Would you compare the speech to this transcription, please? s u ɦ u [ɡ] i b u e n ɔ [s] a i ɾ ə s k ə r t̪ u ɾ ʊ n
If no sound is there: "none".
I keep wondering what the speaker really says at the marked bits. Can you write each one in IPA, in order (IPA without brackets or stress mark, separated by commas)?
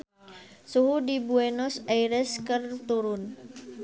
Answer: d, s